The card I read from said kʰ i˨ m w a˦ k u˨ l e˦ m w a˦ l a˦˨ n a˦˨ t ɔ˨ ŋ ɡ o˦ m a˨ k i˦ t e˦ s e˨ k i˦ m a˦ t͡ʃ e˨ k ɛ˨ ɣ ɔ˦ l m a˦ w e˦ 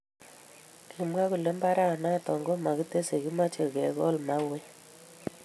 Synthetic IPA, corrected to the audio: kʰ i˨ m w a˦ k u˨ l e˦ m b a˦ ɾ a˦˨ n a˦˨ t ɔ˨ ŋ ɡ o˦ m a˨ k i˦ t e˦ s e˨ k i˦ m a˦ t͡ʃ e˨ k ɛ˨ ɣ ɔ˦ l m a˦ w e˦